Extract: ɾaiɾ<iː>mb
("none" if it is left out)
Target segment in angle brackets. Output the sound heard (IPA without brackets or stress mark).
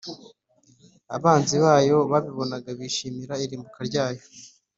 iː